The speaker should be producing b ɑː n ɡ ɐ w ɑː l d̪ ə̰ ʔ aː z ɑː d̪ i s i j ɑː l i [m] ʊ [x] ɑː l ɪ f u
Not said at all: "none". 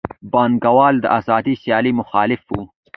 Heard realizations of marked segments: m, x

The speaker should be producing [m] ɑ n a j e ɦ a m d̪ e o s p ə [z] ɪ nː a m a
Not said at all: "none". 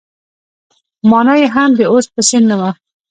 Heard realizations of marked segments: m, s

